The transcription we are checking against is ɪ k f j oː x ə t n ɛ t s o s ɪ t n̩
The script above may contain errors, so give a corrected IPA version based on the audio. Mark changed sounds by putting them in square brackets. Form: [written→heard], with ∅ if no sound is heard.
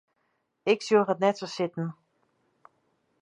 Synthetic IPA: ɪ k [f→s] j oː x ə t n ɛ t s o s ɪ t n̩